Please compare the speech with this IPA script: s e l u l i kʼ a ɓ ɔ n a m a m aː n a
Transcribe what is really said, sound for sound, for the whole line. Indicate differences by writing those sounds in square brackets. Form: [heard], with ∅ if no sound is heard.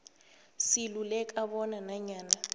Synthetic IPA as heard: s [i] l u l [ɛ] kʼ a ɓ ɔ n a [n] a [ɲ] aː n a